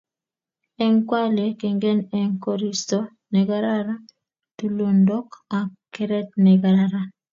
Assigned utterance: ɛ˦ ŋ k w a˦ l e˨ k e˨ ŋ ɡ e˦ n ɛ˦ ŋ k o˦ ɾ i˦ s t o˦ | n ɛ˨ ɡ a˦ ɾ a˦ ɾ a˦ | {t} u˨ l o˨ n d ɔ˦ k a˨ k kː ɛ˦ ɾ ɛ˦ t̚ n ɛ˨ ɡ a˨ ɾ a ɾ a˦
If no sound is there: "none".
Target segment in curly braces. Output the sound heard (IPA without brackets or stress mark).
t